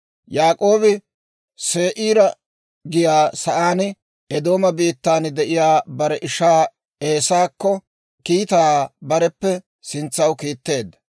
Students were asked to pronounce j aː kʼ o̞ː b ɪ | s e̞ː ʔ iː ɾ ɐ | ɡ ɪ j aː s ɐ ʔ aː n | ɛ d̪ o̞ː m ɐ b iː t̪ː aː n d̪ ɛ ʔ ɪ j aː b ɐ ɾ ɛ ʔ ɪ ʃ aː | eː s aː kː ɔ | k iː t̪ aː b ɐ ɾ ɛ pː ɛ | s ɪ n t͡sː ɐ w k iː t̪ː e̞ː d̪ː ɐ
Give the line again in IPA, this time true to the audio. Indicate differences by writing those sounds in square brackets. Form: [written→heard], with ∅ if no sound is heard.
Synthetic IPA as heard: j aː kʼ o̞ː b ɪ | s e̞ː ʔ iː ɾ ɐ | ɡ ɪ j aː s ɐ ʔ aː n | ɛ d̪ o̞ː m ɐ b iː t̪ː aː n d̪ ɛ ʔ ɪ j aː b ɐ ɾ ɛ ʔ ɪ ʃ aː | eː s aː kː ɔ | k iː t̪ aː b ɐ ɾ ɛ pː ɛ | s ɪ n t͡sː ɐ w k iː t̪ː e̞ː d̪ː ɐ